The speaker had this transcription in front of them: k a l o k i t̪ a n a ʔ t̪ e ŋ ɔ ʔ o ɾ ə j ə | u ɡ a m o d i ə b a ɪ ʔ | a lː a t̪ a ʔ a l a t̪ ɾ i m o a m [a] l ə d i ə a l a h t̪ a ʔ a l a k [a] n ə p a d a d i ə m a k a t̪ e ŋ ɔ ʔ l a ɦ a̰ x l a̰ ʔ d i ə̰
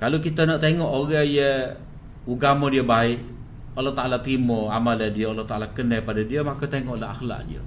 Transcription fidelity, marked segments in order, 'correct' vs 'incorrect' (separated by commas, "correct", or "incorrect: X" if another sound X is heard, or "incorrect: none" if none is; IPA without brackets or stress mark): correct, incorrect: ə